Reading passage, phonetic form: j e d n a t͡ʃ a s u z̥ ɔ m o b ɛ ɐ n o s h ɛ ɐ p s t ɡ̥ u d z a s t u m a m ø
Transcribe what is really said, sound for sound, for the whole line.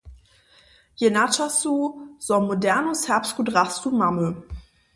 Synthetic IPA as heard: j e n a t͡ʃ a s u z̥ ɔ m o d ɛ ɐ n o s h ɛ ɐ p s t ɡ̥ u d ʁ a s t u m a m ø